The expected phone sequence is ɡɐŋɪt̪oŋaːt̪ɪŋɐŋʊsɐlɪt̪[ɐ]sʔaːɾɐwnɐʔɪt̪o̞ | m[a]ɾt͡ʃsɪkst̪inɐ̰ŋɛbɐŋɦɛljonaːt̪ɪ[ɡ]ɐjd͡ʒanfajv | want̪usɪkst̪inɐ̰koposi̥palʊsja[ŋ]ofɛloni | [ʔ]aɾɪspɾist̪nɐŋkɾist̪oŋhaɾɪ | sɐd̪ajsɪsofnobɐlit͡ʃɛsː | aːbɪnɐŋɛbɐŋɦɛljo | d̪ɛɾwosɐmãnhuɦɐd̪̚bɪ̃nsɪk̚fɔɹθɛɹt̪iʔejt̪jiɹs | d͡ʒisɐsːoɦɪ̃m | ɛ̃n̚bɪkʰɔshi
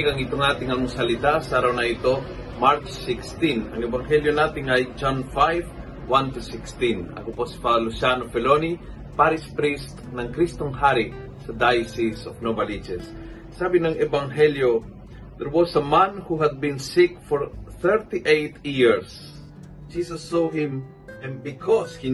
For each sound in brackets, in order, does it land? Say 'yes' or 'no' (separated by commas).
no, yes, no, no, no